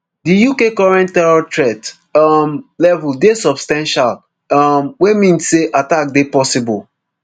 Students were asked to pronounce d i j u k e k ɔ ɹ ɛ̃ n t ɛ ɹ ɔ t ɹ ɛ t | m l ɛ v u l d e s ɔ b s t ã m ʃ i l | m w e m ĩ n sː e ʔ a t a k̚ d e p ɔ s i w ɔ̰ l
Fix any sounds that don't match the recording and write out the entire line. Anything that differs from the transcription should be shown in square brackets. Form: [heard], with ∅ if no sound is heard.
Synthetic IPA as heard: d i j u k e k ɔ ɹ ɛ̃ n t ɛ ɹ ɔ t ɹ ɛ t | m l ɛ v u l d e s ɔ b s t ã [n] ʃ [a] l | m w e m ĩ n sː e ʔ a t a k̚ d e p ɔ s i [b] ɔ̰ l